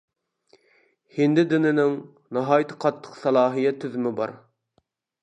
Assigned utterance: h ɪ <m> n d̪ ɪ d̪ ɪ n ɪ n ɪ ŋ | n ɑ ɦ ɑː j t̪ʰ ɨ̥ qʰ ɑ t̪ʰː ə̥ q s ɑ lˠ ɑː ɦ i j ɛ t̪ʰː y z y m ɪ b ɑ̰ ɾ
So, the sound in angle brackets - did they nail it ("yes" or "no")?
no